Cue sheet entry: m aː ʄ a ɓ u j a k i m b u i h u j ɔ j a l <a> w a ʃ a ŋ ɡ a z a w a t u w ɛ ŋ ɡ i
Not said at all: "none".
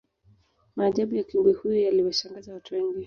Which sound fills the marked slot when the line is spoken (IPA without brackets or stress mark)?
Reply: i